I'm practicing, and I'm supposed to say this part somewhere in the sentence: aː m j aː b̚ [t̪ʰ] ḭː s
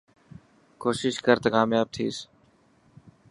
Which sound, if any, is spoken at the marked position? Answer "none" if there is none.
t̪ʰ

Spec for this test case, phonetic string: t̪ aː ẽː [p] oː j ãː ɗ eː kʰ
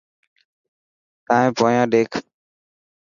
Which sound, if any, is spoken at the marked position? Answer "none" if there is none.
p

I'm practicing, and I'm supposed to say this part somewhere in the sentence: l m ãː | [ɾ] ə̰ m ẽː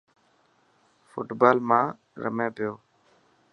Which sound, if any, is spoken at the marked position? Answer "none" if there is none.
ɾ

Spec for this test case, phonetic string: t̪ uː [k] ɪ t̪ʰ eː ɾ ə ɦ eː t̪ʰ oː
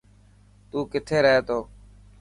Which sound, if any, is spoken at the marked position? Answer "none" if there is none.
k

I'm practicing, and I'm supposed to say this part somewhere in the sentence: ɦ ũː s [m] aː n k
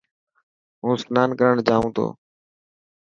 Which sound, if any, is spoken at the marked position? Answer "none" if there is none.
n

